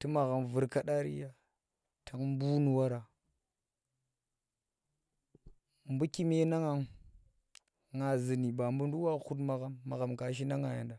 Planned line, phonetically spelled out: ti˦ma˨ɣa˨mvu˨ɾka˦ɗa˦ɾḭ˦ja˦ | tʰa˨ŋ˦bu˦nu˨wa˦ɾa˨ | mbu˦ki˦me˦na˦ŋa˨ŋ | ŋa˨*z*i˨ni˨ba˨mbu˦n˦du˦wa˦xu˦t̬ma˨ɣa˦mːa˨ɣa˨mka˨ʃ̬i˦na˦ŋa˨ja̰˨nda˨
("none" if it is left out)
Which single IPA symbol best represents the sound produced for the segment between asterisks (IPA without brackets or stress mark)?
z